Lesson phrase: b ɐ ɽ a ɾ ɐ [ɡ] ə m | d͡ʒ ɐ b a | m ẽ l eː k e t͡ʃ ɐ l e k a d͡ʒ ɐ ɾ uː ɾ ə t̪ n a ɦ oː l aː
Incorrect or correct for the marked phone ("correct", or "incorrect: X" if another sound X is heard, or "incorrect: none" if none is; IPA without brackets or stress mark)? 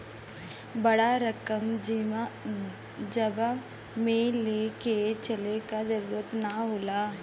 incorrect: k